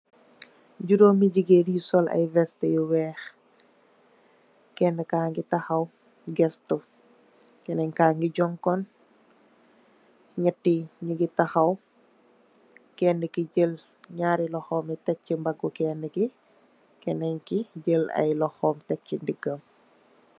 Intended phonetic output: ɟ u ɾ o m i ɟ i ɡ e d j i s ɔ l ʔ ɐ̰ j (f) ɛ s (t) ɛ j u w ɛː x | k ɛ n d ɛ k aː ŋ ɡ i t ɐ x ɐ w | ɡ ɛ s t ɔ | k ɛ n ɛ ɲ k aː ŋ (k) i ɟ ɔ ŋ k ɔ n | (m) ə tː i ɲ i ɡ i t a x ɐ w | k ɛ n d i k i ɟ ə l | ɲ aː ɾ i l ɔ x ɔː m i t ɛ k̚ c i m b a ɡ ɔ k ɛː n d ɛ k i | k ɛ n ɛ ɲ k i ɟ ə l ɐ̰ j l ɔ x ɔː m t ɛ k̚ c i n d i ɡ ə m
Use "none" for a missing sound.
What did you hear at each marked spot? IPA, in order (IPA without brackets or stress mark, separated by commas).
v, t, ɡ, ɲ